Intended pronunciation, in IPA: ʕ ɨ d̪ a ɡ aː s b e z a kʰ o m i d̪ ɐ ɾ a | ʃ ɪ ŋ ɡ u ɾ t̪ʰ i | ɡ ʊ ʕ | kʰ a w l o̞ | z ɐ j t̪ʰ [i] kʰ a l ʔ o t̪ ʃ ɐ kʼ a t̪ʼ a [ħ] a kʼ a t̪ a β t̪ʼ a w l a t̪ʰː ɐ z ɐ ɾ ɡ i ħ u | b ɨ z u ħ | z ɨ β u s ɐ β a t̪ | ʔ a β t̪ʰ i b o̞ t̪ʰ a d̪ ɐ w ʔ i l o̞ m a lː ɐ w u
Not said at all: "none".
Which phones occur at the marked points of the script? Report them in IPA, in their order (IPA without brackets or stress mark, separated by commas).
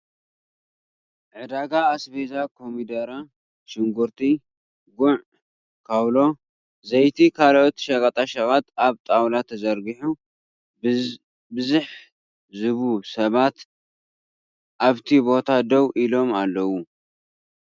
i, ʃ